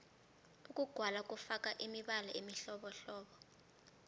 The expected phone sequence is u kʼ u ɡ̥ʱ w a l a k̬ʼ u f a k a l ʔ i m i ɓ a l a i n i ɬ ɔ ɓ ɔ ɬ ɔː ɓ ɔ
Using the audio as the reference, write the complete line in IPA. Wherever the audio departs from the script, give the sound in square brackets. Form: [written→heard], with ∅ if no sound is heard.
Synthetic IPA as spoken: u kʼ u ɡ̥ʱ w a l a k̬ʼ u f a k a [l→∅] ʔ i m i ɓ a l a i [n→m] i ɬ ɔ ɓ ɔ ɬ ɔː ɓ ɔ